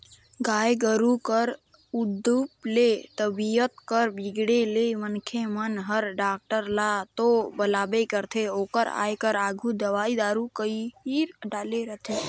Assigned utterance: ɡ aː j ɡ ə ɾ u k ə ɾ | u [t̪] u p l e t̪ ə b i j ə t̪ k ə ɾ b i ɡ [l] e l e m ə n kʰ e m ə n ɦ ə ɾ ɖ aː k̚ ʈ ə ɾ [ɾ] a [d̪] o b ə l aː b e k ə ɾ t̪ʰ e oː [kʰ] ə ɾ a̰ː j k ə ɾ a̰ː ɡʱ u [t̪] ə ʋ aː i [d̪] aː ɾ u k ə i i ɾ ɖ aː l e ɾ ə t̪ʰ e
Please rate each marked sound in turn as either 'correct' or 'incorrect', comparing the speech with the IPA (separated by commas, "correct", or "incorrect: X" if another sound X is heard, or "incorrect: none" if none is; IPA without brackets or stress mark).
incorrect: d̪, incorrect: ɽ, incorrect: l, incorrect: t̪, incorrect: k, incorrect: d̪, correct